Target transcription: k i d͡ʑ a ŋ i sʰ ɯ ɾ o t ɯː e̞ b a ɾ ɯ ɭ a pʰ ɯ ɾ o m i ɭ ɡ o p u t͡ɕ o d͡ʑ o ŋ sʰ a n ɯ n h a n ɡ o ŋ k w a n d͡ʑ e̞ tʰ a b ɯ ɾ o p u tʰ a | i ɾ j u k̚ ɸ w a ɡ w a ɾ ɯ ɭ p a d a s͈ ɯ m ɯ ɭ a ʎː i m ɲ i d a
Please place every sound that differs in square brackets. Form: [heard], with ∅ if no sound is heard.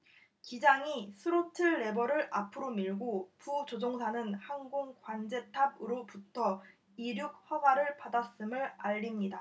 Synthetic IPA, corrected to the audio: k i d͡ʑ a ŋ i sʰ ɯ ɾ o [tʰ] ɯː e̞ b [ʌ] ɾ ɯ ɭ a pʰ ɯ ɾ o m i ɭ ɡ o p u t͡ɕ o d͡ʑ o ŋ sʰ a n ɯ n h a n ɡ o ŋ k w a n d͡ʑ e̞ tʰ a b ɯ ɾ o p u tʰ [ʌ] | i ɾ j u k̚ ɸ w a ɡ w a ɾ ɯ ɭ p a d a s͈ ɯ m ɯ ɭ a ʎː i m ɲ i d a

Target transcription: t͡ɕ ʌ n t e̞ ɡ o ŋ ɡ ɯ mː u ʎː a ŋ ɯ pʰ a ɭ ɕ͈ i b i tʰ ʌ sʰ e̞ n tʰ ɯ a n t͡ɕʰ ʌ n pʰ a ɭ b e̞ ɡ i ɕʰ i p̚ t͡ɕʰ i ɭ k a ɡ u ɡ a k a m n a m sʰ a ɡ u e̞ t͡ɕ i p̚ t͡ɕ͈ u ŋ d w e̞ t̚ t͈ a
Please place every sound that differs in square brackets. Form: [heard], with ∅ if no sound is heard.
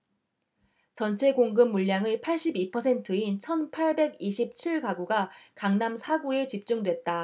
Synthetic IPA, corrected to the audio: t͡ɕ ʌ n [t͡ɕʰ] e̞ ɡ o ŋ ɡ ɯ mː u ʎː a ŋ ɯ pʰ a ɭ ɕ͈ i b i [pʰ] ʌ sʰ e̞ n tʰ ɯ [i] n t͡ɕʰ ʌ n pʰ a ɭ b e̞ ɡ i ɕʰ i p̚ t͡ɕʰ i ɭ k a ɡ u ɡ a k a [ŋ] n a m sʰ a ɡ u e̞ t͡ɕ i p̚ t͡ɕ͈ u ŋ d w e̞ t̚ t͈ a

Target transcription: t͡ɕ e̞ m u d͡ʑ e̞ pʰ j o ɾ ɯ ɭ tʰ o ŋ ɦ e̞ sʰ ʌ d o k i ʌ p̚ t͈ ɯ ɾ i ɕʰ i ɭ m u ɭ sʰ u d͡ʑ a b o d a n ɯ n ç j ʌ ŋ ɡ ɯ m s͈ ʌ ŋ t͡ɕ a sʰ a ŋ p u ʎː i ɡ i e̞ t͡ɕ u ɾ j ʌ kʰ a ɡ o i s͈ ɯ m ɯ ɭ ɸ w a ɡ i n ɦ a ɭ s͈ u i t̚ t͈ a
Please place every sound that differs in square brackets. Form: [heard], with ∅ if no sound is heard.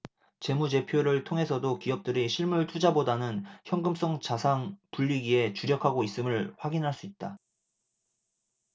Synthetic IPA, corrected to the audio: t͡ɕ e̞ m u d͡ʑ e̞ pʰ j o ɾ ɯ ɭ tʰ o ŋ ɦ e̞ sʰ ʌ d o k i ʌ p̚ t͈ ɯ ɾ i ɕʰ i ɭ m u ɭ [tʰ] u d͡ʑ a b o d a n ɯ n ç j ʌ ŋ ɡ ɯ m s͈ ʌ ŋ t͡ɕ a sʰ a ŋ p u ʎː i ɡ i e̞ t͡ɕ u ɾ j ʌ kʰ a ɡ o i s͈ ɯ m ɯ ɭ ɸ w a ɡ i n ɦ a ɭ s͈ u i t̚ t͈ a

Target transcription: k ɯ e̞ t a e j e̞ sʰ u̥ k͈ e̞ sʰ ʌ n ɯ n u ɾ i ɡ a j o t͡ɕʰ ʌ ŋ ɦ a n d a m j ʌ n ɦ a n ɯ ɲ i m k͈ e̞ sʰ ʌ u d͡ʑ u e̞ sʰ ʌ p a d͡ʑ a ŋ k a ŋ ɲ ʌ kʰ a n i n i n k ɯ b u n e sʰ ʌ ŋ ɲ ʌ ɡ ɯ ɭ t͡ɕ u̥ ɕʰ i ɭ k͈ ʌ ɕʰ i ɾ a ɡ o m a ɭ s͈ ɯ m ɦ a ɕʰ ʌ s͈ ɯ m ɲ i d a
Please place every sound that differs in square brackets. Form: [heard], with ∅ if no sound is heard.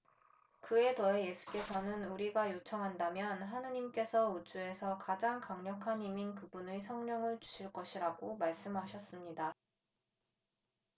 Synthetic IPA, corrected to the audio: k ɯ e̞ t [ʌ] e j e̞ sʰ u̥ k͈ e̞ sʰ ʌ n ɯ n u ɾ i ɡ a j o t͡ɕʰ ʌ ŋ ɦ a n d a m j ʌ n ɦ a n ɯ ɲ i m k͈ e̞ sʰ ʌ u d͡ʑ u e̞ sʰ ʌ [k] a d͡ʑ a ŋ k a ŋ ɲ ʌ kʰ a n i [m] i n k ɯ b u n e sʰ ʌ ŋ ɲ ʌ [ŋ] ɯ ɭ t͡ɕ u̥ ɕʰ i ɭ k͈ ʌ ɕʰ i ɾ a ɡ o m a ɭ s͈ ɯ m ɦ a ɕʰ ʌ s͈ ɯ m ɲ i d a

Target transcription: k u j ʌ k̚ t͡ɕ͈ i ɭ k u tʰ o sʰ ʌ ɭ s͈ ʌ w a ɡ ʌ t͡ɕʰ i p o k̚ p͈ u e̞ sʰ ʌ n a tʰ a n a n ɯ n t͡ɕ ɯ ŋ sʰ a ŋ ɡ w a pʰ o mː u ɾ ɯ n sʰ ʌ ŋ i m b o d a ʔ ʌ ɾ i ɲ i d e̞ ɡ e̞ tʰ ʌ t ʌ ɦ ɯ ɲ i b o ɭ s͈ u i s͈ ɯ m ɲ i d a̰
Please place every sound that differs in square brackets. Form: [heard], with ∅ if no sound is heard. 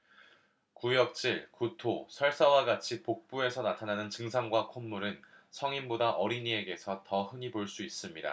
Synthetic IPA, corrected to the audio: k u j ʌ k̚ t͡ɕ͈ i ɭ k u tʰ o sʰ ʌ ɭ s͈ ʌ w a ɡ [a] t͡ɕʰ i p o k̚ p͈ u e̞ sʰ ʌ n a tʰ a n a n ɯ n t͡ɕ ɯ ŋ sʰ a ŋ ɡ w a [kʰ] o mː u ɾ ɯ n sʰ ʌ ŋ i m b o d a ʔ ʌ ɾ i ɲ i [∅] e̞ ɡ e̞ [sʰ] ʌ t ʌ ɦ ɯ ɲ i b o ɭ s͈ u i s͈ ɯ m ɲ i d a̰

